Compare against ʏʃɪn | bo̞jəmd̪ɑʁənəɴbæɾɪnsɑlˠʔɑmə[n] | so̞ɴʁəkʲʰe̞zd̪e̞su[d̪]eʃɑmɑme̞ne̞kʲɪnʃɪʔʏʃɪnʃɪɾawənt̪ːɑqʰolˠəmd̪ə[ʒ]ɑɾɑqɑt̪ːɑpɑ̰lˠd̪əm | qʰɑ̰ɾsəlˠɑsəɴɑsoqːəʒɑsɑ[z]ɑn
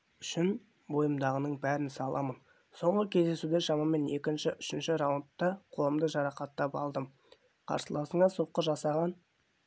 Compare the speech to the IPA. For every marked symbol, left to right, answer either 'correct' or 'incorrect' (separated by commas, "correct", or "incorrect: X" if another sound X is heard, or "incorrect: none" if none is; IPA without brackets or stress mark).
correct, correct, correct, incorrect: ʁ